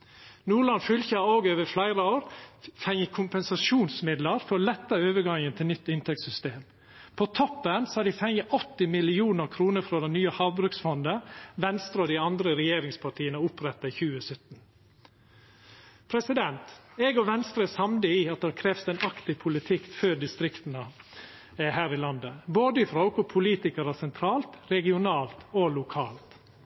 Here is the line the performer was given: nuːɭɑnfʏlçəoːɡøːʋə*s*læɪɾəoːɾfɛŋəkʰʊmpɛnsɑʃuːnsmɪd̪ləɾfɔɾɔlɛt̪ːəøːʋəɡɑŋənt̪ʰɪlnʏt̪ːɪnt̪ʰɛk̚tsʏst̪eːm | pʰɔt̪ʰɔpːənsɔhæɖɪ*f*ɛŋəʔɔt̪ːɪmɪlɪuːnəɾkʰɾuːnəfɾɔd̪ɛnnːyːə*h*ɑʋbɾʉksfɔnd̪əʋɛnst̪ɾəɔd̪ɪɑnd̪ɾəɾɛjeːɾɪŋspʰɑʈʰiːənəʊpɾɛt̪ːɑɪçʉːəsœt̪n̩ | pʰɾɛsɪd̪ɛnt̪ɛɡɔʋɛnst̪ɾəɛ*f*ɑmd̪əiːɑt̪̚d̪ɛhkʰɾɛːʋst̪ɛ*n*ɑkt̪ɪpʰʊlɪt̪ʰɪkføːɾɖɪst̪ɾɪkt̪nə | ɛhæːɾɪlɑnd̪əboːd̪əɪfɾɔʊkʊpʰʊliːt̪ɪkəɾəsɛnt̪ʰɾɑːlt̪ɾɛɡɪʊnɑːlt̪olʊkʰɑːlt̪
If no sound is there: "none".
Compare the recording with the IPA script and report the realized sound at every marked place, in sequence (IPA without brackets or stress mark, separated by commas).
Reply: f, f, h, s, n